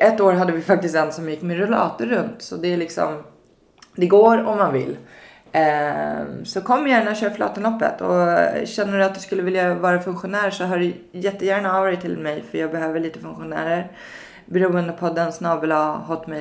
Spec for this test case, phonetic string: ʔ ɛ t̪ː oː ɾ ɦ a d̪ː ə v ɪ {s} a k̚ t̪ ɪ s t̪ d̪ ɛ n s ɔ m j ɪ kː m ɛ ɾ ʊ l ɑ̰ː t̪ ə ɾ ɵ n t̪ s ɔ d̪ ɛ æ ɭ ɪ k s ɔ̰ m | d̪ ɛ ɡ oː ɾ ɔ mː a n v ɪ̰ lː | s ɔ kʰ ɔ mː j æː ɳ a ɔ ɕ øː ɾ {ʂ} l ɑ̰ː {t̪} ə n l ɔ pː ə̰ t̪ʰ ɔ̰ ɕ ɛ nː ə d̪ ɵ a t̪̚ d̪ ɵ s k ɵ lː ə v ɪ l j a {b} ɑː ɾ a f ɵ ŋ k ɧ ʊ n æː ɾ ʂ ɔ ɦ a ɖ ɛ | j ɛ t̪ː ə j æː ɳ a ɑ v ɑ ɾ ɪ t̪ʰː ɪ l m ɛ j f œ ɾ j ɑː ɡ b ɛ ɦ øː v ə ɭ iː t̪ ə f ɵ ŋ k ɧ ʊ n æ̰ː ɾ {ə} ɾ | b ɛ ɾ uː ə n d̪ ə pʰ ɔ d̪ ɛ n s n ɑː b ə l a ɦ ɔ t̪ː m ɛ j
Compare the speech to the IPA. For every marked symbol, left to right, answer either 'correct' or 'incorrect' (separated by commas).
incorrect, incorrect, correct, incorrect, correct